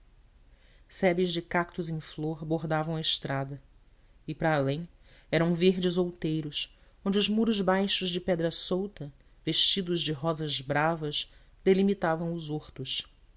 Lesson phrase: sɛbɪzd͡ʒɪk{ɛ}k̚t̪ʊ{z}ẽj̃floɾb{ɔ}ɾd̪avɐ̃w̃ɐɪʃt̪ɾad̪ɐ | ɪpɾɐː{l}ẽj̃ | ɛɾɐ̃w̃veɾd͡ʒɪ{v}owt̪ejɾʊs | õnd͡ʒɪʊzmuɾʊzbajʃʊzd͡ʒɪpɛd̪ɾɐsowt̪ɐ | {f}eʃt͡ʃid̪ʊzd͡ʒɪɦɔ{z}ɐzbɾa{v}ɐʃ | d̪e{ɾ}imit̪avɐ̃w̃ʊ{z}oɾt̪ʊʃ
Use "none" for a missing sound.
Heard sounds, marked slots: a, z, o, l, z, v, z, v, l, z

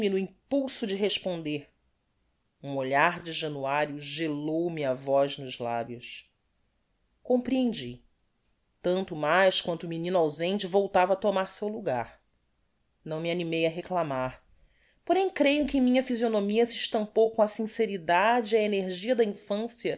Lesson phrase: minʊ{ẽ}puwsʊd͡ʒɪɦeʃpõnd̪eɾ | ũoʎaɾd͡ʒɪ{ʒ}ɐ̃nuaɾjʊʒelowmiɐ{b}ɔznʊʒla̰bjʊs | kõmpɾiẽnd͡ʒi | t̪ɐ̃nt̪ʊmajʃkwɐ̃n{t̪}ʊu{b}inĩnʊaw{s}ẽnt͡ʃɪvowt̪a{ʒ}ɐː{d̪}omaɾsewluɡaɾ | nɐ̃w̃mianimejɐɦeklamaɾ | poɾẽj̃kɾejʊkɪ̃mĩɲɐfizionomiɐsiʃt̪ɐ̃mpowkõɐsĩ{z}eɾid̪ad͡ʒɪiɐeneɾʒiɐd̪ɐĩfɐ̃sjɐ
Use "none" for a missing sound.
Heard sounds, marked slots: ĩ, ʒ, v, t̪, m, z, v, t̪, s

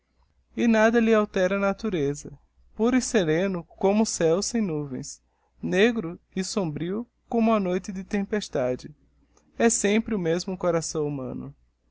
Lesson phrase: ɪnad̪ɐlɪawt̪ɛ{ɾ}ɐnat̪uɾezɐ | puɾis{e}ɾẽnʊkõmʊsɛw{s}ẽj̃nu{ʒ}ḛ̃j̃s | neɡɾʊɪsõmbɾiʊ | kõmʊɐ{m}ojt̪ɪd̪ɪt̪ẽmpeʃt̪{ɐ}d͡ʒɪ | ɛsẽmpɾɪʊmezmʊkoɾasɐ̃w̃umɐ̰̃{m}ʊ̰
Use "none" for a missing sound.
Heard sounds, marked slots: ɾ, e, s, v, n, a, n

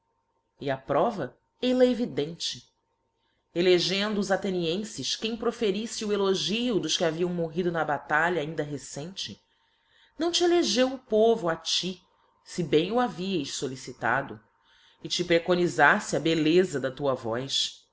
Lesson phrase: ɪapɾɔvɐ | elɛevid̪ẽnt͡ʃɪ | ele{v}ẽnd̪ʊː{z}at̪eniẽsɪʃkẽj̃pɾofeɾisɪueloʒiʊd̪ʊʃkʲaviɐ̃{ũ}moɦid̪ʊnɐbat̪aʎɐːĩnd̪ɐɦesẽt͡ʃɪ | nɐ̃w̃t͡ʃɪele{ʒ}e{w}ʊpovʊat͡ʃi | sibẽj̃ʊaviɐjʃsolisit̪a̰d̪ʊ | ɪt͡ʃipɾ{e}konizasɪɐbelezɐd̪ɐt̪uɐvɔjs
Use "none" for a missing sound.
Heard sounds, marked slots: ʒ, z, w̃, ʒ, w, e

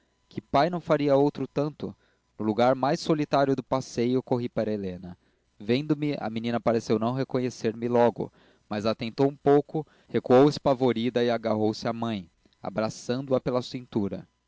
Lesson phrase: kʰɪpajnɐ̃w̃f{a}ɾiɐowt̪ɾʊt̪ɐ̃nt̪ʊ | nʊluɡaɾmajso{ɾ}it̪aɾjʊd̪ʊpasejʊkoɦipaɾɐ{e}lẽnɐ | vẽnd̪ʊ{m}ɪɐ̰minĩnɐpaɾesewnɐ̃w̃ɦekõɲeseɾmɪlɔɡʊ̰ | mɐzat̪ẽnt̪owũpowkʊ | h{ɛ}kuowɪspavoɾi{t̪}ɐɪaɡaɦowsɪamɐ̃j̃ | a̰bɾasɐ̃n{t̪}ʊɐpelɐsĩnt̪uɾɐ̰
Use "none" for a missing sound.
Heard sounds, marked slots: a, l, e, m, e, d̪, d̪

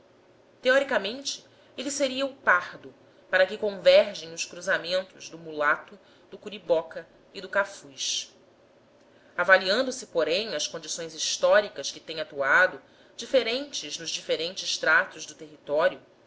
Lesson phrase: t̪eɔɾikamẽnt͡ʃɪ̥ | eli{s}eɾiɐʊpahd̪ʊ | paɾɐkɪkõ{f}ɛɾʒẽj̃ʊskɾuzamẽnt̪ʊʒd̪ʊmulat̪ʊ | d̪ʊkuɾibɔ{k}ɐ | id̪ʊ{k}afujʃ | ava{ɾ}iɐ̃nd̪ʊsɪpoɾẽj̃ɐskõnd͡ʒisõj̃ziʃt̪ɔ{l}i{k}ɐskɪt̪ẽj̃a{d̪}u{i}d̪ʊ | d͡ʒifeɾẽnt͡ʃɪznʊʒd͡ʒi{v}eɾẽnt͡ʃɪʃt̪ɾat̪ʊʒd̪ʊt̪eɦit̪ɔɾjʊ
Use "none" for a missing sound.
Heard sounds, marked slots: s, v, k, k, l, ɾ, k, t̪, a, f

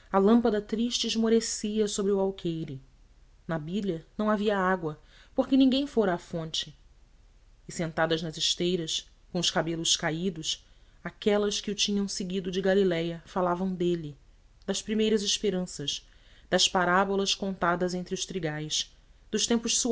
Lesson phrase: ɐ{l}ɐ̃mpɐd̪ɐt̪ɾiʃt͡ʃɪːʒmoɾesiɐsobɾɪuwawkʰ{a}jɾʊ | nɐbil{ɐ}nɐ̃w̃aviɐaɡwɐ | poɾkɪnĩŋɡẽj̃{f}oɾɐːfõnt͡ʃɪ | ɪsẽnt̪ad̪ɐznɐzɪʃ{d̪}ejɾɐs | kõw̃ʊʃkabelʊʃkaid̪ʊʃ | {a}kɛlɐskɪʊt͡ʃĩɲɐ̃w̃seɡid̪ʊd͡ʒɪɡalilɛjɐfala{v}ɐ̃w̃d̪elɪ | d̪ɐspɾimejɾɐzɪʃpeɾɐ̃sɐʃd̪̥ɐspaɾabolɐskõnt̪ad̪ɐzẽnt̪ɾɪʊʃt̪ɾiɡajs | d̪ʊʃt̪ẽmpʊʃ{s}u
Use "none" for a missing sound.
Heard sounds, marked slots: l, e, ɐ, f, t̪, a, v, s

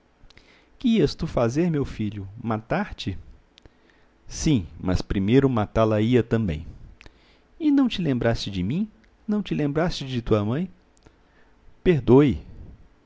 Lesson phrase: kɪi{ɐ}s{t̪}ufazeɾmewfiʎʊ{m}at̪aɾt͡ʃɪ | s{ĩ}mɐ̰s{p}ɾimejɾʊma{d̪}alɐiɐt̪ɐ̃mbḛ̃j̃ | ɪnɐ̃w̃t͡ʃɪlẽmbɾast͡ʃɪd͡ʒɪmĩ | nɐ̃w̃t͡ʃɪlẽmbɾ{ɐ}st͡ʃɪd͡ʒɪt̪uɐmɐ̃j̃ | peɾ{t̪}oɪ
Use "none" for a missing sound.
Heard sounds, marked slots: ɐ, t̪, m, ĩ, p, t̪, a, d̪

